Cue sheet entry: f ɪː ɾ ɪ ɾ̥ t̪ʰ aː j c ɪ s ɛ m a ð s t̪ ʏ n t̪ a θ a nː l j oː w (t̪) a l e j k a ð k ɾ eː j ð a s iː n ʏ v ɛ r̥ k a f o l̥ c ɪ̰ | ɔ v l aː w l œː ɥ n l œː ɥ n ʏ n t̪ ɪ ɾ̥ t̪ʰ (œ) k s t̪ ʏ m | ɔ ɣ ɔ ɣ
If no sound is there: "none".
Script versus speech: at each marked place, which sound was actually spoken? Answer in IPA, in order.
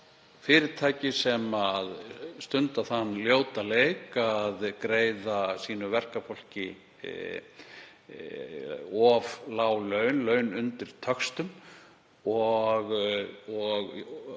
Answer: t̪, œ

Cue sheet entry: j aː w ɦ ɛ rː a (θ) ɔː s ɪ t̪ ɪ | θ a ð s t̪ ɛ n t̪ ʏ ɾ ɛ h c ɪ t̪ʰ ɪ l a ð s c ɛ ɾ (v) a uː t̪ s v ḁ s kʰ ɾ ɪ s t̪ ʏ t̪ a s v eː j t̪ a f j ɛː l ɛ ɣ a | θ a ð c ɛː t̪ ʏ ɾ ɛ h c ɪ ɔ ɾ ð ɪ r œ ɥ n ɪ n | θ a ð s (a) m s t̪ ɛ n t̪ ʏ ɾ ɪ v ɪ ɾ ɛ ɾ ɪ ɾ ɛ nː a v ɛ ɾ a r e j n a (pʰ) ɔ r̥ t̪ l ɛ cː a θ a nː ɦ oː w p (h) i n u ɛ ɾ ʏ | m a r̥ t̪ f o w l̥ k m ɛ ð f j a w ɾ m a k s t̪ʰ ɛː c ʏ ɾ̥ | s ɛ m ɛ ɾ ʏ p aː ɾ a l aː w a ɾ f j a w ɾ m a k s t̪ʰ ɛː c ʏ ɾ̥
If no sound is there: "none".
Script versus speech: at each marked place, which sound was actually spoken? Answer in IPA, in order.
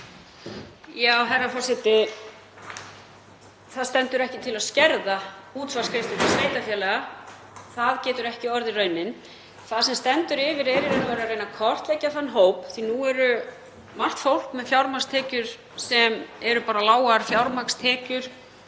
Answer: f, ð, ɛ, kʰ, θ

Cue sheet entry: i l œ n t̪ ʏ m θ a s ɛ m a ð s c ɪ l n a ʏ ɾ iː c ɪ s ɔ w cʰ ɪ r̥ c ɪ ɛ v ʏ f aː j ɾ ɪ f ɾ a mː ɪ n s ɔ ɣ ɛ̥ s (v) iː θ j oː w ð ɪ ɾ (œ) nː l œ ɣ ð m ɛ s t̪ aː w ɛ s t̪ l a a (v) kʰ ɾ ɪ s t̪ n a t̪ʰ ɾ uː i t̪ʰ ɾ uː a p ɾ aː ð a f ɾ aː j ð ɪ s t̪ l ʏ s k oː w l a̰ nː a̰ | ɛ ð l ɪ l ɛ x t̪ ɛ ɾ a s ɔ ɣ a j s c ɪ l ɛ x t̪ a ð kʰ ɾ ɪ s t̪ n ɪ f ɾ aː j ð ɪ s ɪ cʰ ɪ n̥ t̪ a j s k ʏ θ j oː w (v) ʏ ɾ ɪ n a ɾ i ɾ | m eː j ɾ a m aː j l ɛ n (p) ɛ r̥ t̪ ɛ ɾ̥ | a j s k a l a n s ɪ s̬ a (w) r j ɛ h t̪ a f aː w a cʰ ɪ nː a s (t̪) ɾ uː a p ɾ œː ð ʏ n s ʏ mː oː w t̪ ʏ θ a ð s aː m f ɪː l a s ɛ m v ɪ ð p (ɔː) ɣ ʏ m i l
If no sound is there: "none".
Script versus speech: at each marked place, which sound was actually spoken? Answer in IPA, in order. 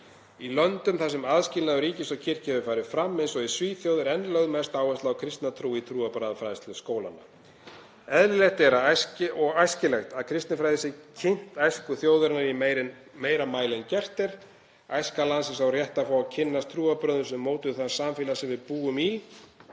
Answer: v, ɛ, w, ð, c, w, t̪ʰ, uː

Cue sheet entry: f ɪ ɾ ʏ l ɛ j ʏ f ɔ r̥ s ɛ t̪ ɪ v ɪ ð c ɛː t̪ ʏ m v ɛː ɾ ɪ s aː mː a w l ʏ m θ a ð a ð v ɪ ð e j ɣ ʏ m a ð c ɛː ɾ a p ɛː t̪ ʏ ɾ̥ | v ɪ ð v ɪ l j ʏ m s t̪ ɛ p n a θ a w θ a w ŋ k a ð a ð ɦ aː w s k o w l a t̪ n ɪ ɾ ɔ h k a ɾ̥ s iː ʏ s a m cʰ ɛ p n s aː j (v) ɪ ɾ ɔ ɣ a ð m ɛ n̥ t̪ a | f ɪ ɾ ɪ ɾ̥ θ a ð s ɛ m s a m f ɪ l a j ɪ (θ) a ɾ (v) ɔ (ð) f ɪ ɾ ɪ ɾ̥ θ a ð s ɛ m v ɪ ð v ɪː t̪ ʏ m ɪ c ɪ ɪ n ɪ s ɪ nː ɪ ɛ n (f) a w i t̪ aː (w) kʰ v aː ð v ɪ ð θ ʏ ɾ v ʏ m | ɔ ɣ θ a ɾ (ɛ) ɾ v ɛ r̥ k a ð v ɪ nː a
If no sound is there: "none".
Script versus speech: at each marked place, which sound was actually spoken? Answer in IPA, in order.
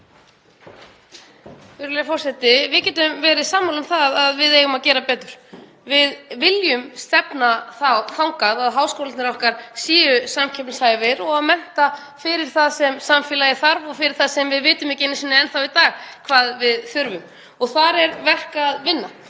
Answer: v, θ, v, ɣ, θ, ɣ, ɛ

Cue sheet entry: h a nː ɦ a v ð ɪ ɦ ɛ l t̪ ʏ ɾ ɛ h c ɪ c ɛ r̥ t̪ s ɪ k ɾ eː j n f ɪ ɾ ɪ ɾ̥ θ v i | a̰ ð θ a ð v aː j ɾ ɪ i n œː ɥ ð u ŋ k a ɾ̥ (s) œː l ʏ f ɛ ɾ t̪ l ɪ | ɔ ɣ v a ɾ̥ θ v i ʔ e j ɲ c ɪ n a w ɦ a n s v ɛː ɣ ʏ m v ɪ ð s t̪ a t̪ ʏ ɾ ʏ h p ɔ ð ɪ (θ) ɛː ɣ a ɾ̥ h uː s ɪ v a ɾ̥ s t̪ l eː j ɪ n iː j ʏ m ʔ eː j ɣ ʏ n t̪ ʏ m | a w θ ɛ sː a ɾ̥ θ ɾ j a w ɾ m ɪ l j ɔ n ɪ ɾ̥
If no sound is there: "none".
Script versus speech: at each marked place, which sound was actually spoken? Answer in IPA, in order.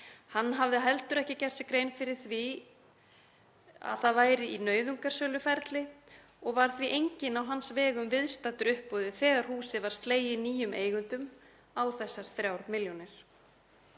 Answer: s, θ

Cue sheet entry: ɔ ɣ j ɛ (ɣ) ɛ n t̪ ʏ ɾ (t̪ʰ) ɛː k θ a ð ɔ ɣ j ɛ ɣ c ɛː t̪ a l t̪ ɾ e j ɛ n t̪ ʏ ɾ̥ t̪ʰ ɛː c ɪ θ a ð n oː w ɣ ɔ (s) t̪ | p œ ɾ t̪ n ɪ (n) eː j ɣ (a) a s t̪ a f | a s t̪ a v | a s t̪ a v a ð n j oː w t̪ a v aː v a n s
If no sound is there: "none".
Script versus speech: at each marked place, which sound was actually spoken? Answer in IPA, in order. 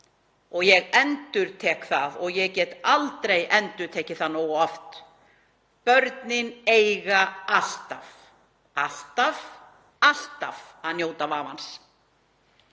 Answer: ɣ, t̪ʰ, f, n, a

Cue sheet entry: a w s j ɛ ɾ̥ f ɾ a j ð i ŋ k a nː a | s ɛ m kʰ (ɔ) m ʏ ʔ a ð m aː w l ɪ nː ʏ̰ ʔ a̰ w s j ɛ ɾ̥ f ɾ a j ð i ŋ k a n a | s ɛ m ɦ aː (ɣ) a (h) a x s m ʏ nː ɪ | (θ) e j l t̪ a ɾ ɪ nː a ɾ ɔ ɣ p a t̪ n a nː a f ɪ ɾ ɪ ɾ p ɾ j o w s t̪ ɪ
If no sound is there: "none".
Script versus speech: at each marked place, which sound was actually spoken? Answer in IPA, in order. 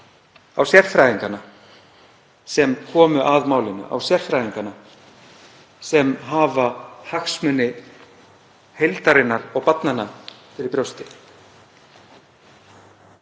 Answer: ɔː, v, h, h

